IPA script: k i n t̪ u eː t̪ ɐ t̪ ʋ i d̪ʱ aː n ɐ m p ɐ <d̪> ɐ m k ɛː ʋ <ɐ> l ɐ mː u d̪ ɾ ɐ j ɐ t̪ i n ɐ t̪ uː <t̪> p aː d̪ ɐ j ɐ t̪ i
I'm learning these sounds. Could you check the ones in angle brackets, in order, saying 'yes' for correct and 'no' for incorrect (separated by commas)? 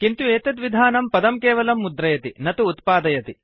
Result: yes, yes, yes